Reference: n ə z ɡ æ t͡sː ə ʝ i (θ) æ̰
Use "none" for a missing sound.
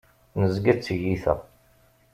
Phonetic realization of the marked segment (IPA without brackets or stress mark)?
θ